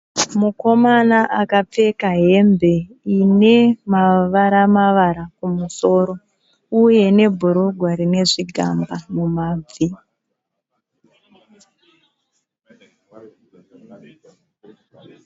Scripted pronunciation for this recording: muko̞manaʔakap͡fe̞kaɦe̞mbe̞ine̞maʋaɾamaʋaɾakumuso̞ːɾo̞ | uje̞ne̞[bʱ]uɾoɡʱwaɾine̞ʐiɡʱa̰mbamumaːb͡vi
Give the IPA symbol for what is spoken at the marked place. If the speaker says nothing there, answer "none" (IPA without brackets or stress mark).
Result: bʱ